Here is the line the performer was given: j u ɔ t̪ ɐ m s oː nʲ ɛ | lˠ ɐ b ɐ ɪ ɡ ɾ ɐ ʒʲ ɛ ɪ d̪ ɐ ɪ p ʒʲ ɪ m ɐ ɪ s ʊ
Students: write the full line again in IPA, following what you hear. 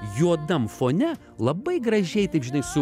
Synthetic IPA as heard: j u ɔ d̪ ɐ m f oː nʲ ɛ | lˠ ɐ b ɐ ɪ ɡ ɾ ɐ ʒʲ ɛ ɪ t̪ ɐ ɪ p ʒʲ ɪ n ɐ ɪ s ʊ

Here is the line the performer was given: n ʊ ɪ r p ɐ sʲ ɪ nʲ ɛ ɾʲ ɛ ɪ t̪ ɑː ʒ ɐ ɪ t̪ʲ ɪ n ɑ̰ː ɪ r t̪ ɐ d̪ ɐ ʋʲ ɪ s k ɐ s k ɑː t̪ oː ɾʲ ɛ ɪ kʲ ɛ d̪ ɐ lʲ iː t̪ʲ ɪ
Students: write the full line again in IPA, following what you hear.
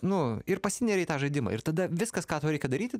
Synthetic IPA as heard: n ʊ ɪ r p ɐ sʲ ɪ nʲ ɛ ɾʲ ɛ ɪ t̪ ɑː ʒ ɐ ɪ d̪ʲ ɪ m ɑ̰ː ɪ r t̪ ɐ d̪ ɐ ʋʲ ɪ s k ɐ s k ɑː t̪ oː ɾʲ ɛ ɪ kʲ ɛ d̪ ɐ ɾʲ iː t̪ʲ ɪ

